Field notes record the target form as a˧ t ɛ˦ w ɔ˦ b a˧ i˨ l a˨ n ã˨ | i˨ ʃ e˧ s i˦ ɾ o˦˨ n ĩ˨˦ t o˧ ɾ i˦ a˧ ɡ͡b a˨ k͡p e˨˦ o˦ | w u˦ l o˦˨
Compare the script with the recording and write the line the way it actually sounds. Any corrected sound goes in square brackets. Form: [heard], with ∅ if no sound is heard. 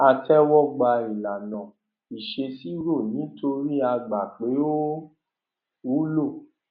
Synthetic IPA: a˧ t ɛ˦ w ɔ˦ [ɡ͡b] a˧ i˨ l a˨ n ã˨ | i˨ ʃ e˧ s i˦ ɾ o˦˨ n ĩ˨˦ t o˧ ɾ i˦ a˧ ɡ͡b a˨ k͡p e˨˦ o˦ | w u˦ l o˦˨